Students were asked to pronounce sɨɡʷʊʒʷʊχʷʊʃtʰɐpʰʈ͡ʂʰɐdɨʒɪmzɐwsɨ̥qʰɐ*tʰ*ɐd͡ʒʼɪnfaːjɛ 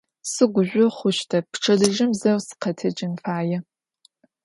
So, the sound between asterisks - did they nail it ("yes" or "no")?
yes